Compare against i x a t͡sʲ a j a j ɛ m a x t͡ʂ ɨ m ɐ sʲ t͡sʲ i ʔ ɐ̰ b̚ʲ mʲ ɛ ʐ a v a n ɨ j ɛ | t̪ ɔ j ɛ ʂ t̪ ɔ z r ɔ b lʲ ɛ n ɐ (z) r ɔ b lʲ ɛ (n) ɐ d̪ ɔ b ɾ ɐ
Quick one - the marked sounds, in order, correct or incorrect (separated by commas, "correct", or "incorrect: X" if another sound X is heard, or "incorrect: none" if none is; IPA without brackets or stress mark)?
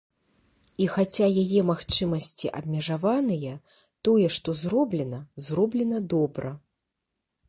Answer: correct, correct